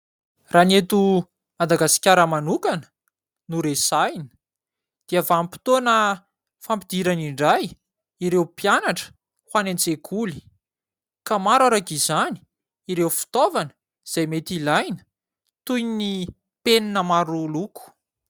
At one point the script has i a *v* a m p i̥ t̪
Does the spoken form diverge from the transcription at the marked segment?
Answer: no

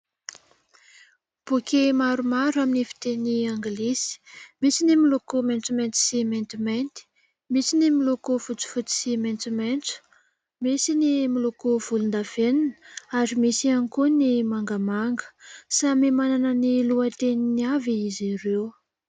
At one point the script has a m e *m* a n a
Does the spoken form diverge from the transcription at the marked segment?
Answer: no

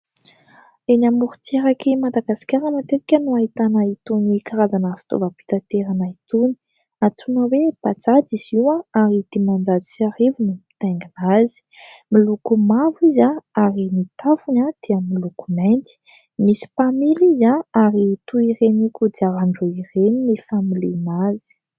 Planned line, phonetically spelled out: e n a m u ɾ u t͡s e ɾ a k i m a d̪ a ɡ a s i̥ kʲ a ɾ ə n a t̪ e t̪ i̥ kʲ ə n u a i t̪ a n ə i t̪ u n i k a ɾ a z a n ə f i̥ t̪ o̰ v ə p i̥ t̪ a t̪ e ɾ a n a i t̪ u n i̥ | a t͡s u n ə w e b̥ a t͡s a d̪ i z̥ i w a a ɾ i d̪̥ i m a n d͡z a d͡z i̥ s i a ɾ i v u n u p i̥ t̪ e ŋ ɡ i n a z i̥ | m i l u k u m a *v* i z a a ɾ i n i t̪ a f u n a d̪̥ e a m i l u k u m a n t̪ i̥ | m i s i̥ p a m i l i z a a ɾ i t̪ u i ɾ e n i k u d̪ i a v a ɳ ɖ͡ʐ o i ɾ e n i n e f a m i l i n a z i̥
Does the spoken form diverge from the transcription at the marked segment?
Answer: no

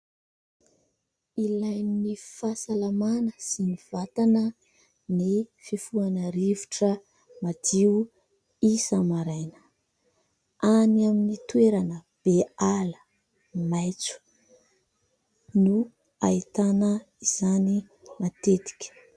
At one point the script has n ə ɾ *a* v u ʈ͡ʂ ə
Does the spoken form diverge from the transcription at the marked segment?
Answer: yes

